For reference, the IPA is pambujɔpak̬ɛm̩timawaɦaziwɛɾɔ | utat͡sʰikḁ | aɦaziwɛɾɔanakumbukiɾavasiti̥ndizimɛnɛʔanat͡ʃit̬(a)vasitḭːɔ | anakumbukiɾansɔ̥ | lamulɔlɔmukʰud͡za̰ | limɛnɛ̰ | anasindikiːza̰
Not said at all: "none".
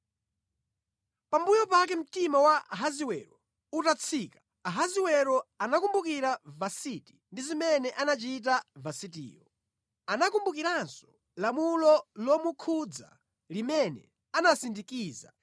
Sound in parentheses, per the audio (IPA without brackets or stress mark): a